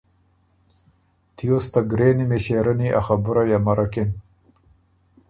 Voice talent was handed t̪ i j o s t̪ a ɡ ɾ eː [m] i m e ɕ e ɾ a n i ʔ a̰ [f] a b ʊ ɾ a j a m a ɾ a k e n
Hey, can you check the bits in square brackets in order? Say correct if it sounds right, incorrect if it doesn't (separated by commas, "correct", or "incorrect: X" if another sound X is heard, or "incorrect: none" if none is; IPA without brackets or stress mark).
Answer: incorrect: n, incorrect: x